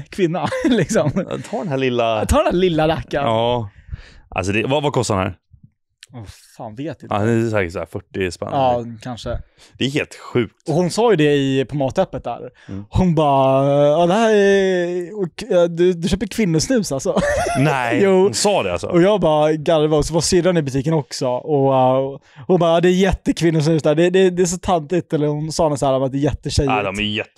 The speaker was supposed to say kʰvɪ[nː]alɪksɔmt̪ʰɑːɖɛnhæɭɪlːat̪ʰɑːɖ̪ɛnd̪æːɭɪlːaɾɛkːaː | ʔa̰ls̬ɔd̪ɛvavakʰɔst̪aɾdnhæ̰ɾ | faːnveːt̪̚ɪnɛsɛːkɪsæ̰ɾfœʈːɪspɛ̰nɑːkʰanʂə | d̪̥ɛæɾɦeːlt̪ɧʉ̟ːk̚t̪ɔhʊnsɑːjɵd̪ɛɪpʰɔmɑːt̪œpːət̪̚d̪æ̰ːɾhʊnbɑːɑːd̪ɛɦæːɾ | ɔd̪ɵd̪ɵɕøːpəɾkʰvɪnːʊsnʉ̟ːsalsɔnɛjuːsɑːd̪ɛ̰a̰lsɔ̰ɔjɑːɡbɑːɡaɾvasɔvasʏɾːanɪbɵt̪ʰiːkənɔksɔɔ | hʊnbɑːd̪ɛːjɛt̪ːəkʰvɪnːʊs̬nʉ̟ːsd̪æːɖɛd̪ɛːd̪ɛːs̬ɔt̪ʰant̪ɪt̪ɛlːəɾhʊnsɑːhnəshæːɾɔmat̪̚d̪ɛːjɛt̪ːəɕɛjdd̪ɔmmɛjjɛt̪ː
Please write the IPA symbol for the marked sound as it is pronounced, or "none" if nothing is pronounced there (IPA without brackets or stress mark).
nː